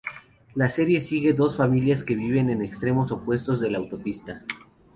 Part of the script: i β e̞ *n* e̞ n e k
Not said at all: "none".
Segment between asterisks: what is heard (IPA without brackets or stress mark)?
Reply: n